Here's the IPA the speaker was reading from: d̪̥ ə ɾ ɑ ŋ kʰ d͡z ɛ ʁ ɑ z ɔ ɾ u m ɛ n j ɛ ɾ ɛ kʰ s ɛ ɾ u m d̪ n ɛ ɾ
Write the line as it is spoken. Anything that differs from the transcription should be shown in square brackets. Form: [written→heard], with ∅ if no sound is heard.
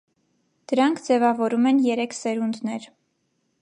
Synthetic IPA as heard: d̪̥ ə ɾ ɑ ŋ kʰ d͡z ɛ [ʁ→v] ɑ [z→v] ɔ ɾ u m ɛ n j ɛ ɾ ɛ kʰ s ɛ ɾ u [m→n] d̪ n ɛ ɾ